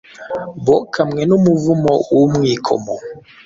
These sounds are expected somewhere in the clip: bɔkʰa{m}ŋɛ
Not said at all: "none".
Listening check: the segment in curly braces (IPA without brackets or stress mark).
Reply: m